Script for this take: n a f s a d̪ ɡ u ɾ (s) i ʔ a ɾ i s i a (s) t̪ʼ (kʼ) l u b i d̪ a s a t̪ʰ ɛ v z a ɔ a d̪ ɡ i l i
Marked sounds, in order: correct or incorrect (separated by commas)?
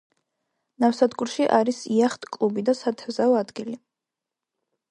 incorrect, incorrect, correct